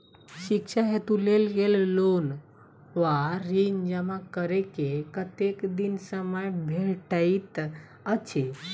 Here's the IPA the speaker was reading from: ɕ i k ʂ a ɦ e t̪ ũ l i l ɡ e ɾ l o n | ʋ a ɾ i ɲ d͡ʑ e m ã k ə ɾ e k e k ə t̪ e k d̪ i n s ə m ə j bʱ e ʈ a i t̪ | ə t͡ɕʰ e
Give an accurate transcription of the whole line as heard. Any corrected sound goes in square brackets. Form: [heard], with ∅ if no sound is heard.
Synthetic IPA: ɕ i k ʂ a ɦ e t̪ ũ l [e] l ɡ e [l] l o n | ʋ a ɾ i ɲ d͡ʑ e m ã k ə ɾ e k e k ə t̪ e k d̪ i n s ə m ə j bʱ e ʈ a i t̪ | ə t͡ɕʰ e